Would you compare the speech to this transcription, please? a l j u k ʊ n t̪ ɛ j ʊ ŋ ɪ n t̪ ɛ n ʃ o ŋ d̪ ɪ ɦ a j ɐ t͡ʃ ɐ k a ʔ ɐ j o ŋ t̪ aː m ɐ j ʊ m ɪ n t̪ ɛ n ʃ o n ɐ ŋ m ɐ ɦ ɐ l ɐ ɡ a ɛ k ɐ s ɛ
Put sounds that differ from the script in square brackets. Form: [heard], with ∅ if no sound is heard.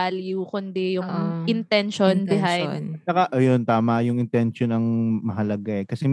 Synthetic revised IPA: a l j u k ʊ n [d̪] ɛ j ʊ ŋ ɪ n t̪ ɛ n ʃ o [n] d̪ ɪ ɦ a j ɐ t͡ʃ ɐ k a ʔ ɐ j o [n] t̪ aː m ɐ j ʊ [ŋ] ɪ n t̪ ɛ n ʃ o n ɐ ŋ m ɐ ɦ ɐ l ɐ ɡ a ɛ k ɐ s ɛ